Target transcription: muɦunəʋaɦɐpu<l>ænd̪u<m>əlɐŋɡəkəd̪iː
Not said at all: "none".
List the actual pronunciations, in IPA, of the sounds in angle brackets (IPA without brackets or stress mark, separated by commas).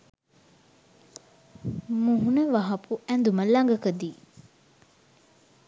none, m